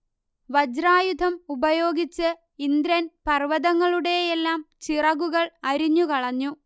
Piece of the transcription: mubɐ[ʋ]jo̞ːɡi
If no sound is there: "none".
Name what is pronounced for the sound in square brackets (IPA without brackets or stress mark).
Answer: none